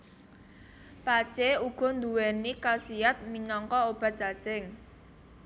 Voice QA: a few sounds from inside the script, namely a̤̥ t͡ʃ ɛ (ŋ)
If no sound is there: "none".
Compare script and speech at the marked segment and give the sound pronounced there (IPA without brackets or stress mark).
ŋ